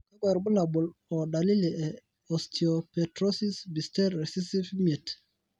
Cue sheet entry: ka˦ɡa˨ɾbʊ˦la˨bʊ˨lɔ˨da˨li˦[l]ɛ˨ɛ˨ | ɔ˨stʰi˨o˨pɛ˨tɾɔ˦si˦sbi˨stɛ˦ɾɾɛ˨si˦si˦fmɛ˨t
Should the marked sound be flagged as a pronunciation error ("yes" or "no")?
no